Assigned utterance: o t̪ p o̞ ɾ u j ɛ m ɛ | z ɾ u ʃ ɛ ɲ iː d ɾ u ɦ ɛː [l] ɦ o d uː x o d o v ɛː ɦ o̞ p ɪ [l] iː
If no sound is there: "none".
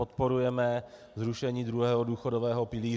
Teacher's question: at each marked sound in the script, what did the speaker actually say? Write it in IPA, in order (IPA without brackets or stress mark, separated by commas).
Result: none, l